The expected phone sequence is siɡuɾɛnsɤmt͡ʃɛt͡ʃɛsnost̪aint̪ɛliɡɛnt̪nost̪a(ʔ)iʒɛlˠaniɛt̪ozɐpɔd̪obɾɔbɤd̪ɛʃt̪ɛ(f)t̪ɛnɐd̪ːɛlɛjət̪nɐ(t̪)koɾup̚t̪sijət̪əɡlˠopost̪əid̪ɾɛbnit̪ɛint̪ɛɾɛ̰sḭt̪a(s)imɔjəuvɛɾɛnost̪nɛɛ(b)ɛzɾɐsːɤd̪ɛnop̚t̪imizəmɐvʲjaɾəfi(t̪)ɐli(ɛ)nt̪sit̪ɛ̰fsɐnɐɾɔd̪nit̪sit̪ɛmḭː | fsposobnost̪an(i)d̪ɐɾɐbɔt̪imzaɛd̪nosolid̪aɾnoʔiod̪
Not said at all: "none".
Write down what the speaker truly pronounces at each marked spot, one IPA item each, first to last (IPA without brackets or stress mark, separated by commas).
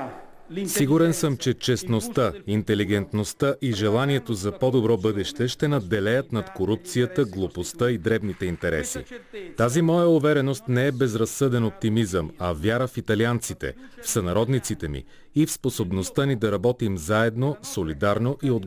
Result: ʔ, ʃ, t̪, z, b, t̪, a, i